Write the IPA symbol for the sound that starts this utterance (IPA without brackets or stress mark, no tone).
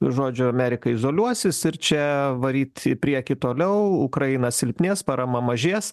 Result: ʒ